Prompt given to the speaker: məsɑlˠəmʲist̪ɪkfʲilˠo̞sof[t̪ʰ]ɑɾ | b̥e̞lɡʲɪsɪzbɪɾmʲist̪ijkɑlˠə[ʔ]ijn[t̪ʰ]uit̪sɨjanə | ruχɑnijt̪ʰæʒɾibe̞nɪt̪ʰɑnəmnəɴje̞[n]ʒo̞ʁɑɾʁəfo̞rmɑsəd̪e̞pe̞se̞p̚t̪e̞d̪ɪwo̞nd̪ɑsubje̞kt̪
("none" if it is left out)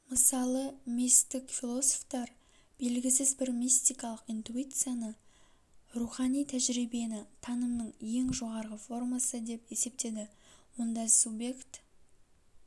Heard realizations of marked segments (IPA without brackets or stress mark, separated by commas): t̪, q, t̪, ŋ